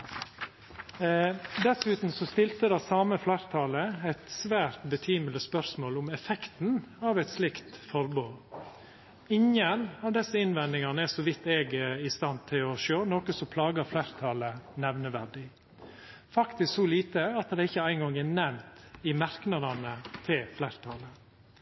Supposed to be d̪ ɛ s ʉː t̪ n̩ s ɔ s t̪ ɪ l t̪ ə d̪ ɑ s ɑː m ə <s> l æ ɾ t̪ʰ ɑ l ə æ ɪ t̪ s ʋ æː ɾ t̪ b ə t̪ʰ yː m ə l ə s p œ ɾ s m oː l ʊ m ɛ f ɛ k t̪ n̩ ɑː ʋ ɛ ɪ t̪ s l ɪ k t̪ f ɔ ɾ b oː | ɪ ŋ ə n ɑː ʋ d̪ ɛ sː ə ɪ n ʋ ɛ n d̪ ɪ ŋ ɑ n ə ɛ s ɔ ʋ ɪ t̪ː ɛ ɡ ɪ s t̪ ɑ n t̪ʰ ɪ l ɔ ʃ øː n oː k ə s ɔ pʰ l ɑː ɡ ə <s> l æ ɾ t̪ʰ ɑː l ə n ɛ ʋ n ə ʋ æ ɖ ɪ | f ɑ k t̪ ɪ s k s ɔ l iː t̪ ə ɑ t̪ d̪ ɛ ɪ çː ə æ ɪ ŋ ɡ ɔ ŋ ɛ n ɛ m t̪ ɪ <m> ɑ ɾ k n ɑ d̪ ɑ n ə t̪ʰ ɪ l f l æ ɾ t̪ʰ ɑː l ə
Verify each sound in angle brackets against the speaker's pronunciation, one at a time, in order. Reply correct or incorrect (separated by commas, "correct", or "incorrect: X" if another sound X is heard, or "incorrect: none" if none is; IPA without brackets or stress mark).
incorrect: f, incorrect: f, correct